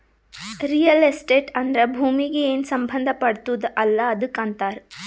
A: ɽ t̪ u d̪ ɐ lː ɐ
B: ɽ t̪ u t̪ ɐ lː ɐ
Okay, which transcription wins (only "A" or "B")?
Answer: A